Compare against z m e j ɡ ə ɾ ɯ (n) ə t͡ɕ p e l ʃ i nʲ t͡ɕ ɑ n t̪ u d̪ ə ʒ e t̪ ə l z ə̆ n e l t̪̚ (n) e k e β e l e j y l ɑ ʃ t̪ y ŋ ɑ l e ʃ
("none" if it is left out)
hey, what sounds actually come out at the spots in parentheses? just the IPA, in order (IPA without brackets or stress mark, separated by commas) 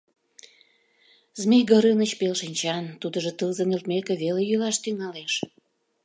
n, m